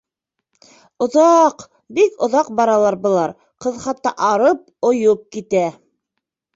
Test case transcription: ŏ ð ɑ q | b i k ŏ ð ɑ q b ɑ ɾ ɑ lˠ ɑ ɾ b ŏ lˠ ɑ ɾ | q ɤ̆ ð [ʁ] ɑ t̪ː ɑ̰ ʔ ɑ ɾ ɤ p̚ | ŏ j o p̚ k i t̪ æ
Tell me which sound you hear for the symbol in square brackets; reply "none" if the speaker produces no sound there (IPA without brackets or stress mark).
χ